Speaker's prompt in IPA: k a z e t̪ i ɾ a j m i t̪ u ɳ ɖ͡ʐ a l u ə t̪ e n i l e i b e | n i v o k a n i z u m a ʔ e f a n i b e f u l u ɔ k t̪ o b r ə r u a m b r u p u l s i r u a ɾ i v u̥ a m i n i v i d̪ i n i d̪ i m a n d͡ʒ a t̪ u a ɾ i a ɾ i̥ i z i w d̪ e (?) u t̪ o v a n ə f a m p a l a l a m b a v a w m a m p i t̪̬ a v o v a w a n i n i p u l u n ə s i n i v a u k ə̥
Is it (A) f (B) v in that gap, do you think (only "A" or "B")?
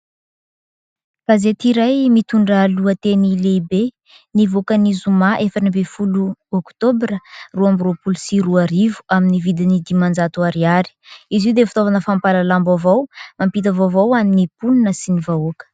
A